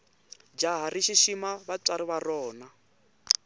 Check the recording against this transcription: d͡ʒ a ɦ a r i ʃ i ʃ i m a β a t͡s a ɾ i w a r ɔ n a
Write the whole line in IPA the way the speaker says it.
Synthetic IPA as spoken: d͡ʒ a ɦ a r i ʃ i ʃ i m a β a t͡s a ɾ i β a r ɔː n a